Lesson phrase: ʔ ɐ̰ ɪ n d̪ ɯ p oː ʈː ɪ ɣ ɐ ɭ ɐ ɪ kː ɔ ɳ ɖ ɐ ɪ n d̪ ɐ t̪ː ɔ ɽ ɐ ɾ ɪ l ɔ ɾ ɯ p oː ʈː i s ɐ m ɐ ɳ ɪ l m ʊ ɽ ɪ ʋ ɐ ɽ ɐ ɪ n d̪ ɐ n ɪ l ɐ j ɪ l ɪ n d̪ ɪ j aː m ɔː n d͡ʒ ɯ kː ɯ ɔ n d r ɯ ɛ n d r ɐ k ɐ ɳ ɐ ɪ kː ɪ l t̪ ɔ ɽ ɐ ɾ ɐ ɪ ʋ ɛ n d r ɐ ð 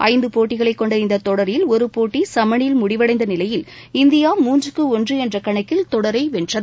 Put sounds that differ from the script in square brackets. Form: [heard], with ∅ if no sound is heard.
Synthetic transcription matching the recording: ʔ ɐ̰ ɪ n d̪ ɯ p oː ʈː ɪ ɣ ɐ ɭ ɐ ɪ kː ɔ ɳ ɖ ɐ ɪ n d̪ ɐ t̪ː ɔ ɽ ɐ ɾ ɪ l ɔ ɾ ɯ p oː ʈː i s ɐ m ɐ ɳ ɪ l m ʊ ɽ ɪ ʋ ɐ ɽ ɐ ɪ n d̪ ɐ n ɪ l ɐ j ɪ l ɪ n d̪ ɪ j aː m [uː] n d͡ʒ ɯ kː ɯ ɔ n d r ɯ ɛ n d r ɐ k ɐ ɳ ɐ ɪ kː ɪ l t̪ ɔ ɽ ɐ ɾ ɐ ɪ ʋ ɛ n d r ɐ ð